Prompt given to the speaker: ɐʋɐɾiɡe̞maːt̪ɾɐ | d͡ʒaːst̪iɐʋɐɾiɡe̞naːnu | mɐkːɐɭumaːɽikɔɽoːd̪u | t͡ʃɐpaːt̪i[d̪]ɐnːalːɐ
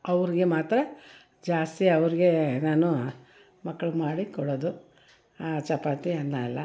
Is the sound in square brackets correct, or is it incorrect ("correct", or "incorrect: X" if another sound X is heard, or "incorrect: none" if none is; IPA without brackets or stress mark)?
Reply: incorrect: none